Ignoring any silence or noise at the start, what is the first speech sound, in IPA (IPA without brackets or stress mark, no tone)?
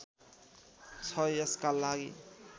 t͡sʰ